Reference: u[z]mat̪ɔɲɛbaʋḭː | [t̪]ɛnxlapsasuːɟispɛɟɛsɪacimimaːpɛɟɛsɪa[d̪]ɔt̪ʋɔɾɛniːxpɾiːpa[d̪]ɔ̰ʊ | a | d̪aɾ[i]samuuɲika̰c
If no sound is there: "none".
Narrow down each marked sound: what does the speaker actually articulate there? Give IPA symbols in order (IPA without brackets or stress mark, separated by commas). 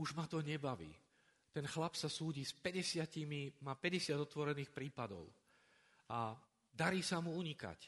ʒ, t̪, d̪, d̪, iː